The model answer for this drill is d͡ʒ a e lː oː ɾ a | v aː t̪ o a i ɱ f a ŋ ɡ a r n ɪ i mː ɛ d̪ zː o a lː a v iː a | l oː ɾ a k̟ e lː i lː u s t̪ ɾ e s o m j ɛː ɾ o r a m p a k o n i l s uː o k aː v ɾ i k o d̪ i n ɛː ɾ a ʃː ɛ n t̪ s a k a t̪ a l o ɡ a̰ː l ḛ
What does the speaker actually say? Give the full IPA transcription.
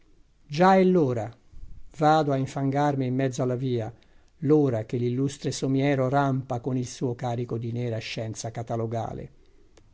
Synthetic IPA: d͡ʒ a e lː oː ɾ a | v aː d̪ o a i ɱ f a ŋ ɡ a r m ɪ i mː ɛ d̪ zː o a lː a v iː a | l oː ɾ a k̟ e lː i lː u s t̪ ɾ e s o m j ɛː ɾ o r a m p a k o n i l s uː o k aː ɾ i k o d̪ i n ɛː ɾ a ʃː ɛ n t̪ s a k a t̪ a l o ɡ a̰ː l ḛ

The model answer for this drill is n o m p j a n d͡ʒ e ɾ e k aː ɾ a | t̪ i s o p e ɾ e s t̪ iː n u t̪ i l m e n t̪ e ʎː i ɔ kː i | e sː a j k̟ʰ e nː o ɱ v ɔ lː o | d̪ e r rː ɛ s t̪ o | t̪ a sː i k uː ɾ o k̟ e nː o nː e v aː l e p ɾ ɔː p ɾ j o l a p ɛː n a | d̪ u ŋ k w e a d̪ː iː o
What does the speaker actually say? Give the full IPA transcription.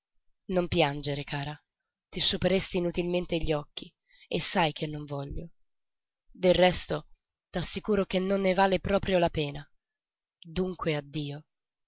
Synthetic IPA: n o m p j a n d͡ʒ e ɾ e k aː ɾ a | t̪ i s u p e ɾ e s t̪ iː n u t̪ i l m e n t̪ e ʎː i ɔ kː i | e sː a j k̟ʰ e nː o ɱ v ɔ ʎː o | d̪ e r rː ɛ s t̪ o | t̪ a sː i k uː ɾ o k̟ e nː o nː e v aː l e p ɾ ɔː p ɾ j o l a p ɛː n a | d̪ u ŋ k w e a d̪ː iː o

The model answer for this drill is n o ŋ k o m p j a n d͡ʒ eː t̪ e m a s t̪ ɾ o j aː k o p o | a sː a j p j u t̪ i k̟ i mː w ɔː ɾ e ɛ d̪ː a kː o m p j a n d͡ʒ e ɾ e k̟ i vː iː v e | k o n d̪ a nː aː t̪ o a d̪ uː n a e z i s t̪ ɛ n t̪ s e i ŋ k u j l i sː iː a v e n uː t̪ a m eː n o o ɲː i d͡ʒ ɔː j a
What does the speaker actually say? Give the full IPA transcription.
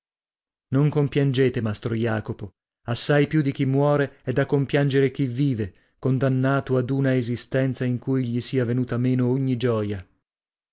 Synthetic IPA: n o ŋ k o m p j a n d͡ʒ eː t̪ e m a s t̪ ɾ o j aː k o p o | a sː a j p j u d̪ i k̟ i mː w ɔː ɾ e ɛ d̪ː a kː o m p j a n d͡ʒ e ɾ e k̟ i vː iː v e | k o n d̪ a nː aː t̪ o a d̪ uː n a e z i s t̪ ɛ n t̪ s a i ŋ k u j ʎ i s iː a v e n uː t̪ a m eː n o o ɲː i d͡ʒ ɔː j a

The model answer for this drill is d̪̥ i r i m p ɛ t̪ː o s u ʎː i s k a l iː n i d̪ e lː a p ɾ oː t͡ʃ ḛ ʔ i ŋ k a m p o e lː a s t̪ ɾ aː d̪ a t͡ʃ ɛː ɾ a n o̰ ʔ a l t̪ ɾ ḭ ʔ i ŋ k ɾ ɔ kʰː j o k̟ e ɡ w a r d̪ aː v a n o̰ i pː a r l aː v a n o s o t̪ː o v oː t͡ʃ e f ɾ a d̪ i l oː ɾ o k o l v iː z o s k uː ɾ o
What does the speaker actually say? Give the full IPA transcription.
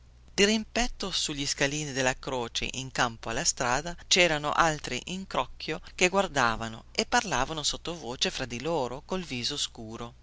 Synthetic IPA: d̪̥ i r i m p ɛ t̪ː o s u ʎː i s k a l iː n i d̪ e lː a k ɾ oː t͡ʃ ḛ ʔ i ŋ k a m p o a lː a s t̪ ɾ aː d̪ a t͡ʃ ɛː ɾ a n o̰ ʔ a l t̪ ɾ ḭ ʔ i ŋ k ɾ ɔ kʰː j o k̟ e ɡ w a r d̪ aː v a n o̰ e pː a r l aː v a n o s o t̪ː o v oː t͡ʃ e f ɾ a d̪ i l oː ɾ o k o l v iː z o s k uː ɾ o

